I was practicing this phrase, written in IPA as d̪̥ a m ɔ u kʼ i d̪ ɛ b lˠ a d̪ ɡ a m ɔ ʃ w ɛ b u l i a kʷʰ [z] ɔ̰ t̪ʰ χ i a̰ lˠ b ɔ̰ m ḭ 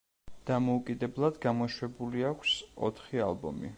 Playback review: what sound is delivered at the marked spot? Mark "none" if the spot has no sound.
s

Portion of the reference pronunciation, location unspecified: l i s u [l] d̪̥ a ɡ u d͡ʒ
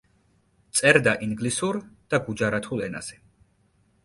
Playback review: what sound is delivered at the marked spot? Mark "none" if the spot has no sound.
ɾ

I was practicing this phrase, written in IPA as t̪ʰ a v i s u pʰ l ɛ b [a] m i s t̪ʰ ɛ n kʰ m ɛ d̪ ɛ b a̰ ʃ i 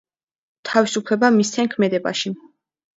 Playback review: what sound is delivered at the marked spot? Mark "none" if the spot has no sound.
a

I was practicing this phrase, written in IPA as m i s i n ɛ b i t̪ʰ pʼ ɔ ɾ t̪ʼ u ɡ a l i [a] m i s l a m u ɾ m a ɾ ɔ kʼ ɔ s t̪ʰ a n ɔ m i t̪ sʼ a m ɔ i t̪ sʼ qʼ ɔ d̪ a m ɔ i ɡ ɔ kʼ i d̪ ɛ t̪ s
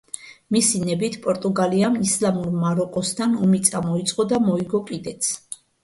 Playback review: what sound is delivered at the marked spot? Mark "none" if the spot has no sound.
a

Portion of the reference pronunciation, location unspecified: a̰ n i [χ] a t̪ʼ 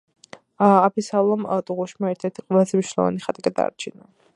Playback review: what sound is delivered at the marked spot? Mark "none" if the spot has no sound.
χ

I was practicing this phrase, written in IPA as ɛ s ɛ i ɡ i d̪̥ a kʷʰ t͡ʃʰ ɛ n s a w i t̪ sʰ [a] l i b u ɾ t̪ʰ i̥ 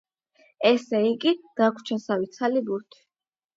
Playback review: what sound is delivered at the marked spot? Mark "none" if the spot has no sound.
a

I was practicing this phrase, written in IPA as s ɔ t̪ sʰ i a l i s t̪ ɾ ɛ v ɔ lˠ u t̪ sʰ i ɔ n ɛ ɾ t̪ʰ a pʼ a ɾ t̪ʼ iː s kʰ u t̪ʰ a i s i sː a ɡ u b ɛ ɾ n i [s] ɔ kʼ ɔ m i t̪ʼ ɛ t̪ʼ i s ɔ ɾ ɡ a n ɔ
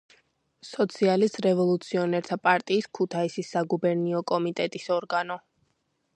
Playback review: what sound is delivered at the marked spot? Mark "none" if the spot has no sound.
none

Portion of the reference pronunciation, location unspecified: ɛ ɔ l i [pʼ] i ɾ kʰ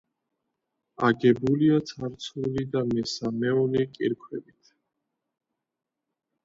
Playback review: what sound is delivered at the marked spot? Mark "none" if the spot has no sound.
kʼ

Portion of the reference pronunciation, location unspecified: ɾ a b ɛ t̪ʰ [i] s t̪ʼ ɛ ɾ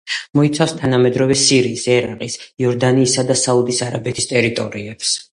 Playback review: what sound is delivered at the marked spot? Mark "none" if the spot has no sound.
i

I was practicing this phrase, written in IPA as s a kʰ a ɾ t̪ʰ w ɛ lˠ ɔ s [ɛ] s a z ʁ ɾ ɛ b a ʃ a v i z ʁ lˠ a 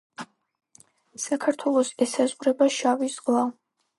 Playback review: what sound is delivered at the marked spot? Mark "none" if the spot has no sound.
ɛ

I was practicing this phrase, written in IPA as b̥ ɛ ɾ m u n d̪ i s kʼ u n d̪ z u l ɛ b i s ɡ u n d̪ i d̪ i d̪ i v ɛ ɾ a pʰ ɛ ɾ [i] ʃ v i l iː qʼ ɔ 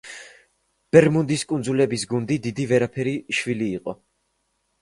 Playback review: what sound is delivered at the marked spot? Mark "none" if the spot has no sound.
i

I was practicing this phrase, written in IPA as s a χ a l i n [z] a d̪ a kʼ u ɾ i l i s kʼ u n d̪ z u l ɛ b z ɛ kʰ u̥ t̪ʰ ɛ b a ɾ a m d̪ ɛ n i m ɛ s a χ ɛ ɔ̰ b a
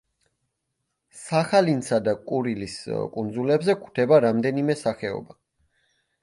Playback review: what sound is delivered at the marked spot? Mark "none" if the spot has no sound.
s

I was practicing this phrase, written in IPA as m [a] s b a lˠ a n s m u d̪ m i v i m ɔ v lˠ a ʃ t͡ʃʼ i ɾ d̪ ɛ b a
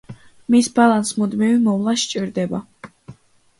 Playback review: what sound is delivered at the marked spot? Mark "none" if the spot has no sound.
i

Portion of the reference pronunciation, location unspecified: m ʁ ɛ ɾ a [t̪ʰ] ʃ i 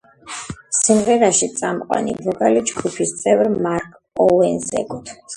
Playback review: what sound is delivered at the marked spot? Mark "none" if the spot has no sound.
none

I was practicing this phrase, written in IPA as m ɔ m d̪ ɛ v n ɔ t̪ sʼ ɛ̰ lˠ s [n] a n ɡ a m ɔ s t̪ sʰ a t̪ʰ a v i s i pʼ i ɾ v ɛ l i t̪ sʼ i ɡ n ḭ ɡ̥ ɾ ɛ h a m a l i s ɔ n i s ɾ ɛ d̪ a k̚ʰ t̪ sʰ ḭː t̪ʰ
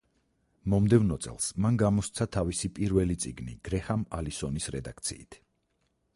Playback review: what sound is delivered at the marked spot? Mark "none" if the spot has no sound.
m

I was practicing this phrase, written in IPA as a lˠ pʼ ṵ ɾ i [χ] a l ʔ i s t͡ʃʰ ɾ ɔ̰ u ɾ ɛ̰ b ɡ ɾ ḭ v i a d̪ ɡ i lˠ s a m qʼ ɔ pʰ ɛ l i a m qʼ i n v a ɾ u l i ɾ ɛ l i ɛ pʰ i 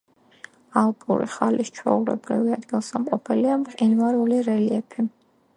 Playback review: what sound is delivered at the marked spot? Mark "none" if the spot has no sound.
χ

